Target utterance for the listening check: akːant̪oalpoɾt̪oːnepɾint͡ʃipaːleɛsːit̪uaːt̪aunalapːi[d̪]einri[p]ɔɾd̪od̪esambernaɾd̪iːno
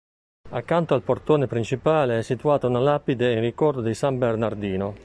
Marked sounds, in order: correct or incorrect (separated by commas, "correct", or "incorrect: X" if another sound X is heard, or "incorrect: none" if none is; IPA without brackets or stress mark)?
correct, incorrect: k